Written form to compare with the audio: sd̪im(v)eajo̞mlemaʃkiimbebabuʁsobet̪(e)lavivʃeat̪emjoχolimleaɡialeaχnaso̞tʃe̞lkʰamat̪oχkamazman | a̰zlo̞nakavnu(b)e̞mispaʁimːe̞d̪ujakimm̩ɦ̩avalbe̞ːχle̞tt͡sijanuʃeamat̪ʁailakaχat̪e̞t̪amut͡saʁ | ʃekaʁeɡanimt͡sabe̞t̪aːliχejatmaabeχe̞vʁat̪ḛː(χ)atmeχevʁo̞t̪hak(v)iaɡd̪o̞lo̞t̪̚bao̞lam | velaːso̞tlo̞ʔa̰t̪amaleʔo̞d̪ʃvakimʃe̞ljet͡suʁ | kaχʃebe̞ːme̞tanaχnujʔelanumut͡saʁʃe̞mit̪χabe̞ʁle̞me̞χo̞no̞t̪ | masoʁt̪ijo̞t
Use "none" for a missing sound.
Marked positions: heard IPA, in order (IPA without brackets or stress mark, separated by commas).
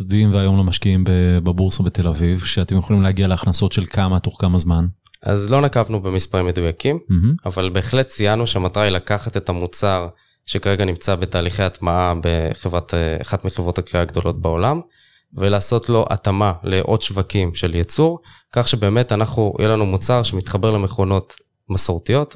v, e, b, χ, ʁ